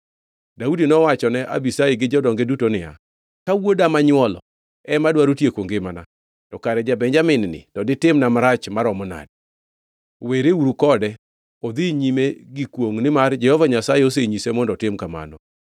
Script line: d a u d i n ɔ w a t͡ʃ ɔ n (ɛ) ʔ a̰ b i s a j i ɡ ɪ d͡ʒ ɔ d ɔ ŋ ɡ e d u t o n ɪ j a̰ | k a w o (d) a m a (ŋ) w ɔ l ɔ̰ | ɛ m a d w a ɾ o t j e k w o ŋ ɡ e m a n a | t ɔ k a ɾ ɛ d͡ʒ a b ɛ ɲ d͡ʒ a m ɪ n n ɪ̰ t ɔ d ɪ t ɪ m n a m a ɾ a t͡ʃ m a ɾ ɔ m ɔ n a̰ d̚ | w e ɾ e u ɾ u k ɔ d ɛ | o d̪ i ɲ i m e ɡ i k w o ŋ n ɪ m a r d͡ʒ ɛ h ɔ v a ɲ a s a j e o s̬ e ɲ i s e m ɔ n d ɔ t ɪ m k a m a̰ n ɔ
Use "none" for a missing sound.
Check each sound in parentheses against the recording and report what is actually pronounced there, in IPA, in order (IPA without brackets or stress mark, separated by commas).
ɛ, d, ɲ